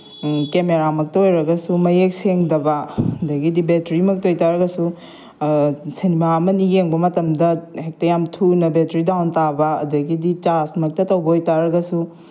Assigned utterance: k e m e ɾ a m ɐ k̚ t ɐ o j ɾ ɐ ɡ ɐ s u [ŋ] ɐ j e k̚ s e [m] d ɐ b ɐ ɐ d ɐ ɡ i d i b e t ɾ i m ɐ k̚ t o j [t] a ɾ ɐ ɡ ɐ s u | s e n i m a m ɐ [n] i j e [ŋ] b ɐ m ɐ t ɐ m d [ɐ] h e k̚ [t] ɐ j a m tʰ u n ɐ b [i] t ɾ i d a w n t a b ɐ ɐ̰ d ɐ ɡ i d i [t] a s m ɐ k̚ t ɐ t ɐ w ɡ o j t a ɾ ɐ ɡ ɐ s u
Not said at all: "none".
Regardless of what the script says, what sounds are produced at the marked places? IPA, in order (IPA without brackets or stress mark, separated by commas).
m, ŋ, t, n, ŋ, ɐ, t, e, t͡ʃ